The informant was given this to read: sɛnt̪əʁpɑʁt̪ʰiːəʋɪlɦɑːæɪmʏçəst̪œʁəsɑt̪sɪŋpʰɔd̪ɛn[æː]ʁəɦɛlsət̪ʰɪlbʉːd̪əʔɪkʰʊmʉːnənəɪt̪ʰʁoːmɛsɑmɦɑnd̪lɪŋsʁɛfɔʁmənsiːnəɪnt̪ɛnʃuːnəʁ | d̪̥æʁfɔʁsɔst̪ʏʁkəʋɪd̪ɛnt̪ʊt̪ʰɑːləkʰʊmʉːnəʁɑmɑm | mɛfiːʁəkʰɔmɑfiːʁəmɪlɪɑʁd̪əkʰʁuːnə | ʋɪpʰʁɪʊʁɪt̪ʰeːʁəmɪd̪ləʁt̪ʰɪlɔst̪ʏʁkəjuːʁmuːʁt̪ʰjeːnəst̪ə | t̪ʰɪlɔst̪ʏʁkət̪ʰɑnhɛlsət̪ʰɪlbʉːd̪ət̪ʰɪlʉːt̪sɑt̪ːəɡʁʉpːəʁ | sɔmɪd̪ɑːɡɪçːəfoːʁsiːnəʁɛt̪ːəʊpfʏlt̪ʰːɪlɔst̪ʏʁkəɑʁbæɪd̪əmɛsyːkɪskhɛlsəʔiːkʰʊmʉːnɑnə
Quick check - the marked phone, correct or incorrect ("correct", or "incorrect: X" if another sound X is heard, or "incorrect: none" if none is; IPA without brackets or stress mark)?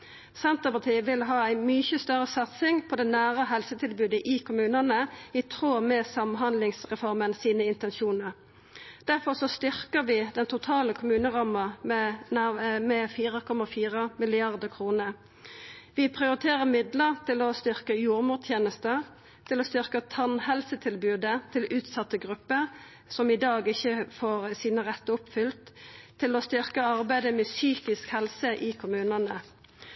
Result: correct